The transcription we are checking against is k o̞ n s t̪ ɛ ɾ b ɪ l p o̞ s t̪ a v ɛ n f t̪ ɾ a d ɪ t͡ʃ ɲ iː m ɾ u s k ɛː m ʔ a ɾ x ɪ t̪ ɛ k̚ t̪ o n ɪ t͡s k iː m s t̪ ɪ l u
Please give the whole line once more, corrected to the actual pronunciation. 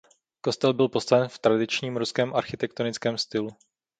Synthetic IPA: k o̞ s t̪ ɛ l b ɪ l p o̞ s t̪ a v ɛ n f t̪ ɾ a d ɪ t͡ʃ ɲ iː m ɾ u s k ɛː m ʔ a ɾ x ɪ t̪ ɛ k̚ t̪ o n ɪ t͡s k ɛː m s t̪ ɪ l u